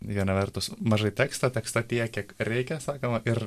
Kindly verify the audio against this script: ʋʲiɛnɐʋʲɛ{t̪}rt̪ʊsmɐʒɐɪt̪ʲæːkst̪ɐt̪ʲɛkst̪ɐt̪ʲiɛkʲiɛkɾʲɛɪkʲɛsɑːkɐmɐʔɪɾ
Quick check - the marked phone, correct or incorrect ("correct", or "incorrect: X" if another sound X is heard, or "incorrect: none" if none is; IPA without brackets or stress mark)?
incorrect: none